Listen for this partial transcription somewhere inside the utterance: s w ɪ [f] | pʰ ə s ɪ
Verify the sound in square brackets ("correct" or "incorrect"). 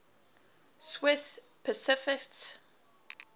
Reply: incorrect